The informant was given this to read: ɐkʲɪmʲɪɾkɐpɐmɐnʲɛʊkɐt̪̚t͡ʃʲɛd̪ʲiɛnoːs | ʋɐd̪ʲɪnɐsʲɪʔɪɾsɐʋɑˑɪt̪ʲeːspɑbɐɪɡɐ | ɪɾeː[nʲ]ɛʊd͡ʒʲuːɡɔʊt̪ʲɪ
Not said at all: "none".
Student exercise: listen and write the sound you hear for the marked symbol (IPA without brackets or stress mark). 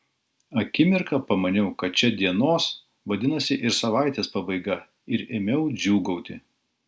mʲ